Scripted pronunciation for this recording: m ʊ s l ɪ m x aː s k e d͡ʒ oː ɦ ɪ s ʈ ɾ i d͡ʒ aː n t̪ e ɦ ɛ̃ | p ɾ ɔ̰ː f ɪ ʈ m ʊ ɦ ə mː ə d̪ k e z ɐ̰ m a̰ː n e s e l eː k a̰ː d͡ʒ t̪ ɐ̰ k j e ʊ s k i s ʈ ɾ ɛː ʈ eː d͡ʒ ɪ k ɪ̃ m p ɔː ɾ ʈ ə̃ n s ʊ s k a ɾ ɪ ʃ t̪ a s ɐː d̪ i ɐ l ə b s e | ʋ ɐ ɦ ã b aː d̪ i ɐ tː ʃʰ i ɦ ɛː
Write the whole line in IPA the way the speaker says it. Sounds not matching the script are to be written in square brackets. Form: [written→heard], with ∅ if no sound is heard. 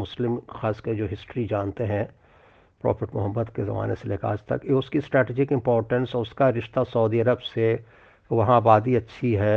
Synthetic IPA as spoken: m ʊ s l ɪ m x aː s k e d͡ʒ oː ɦ ɪ s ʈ ɾ i d͡ʒ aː n t̪ e ɦ ɛ̃ | p ɾ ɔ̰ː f ɪ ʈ m ʊ ɦ ə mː ə d̪ k e z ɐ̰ m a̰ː n e s e l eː k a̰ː d͡ʒ t̪ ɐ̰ k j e ʊ s k i s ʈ ɾ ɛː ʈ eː d͡ʒ ɪ k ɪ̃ m p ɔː ɾ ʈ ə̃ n s ʊ s k a ɾ ɪ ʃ t̪ a s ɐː d̪ i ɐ [l→ɾ] ə b s e | ʋ ɐ ɦ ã b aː d̪ i ɐ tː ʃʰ i ɦ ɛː